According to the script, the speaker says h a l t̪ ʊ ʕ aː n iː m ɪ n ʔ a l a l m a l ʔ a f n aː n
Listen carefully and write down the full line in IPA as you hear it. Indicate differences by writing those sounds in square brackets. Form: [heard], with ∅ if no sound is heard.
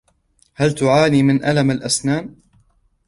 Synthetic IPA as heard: h a l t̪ ʊ ʕ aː n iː m ɪ n ʔ a l a [∅] m a l ʔ a [s] n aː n